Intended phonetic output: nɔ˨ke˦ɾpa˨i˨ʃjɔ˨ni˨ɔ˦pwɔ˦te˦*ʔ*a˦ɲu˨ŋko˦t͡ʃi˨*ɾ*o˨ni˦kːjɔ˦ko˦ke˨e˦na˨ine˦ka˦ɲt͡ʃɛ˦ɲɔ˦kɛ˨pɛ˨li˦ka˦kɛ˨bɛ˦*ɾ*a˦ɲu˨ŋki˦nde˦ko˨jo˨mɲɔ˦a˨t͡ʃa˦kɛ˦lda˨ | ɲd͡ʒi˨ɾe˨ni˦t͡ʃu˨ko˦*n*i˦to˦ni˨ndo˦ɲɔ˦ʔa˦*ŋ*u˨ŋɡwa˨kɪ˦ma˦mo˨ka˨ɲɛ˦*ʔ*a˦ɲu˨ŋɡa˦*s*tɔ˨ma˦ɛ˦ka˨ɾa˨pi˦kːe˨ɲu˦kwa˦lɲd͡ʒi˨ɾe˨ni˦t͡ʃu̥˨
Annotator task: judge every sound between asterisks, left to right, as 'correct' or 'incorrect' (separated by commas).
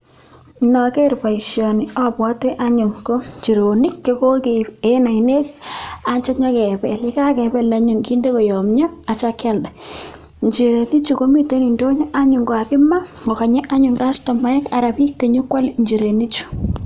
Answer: correct, correct, incorrect, incorrect, incorrect, correct, correct